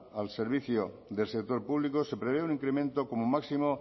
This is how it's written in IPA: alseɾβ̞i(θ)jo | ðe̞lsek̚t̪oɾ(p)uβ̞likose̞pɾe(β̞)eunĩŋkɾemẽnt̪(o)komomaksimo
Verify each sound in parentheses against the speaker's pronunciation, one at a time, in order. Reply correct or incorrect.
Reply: correct, correct, correct, correct

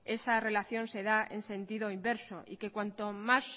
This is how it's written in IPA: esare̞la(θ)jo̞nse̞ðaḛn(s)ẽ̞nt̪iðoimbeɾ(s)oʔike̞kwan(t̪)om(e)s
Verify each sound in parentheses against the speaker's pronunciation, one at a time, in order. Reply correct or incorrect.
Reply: correct, correct, correct, correct, incorrect

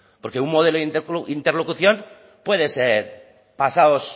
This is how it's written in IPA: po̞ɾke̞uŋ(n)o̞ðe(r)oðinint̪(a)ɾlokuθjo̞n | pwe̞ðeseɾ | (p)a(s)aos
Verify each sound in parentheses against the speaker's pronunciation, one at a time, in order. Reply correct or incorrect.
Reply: incorrect, incorrect, incorrect, correct, correct

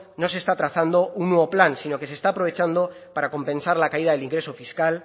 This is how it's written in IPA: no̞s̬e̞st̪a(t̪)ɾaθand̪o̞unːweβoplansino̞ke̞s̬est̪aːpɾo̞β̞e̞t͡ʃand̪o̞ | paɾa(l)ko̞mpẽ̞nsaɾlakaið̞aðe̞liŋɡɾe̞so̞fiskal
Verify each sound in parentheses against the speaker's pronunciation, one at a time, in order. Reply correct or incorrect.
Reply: correct, incorrect

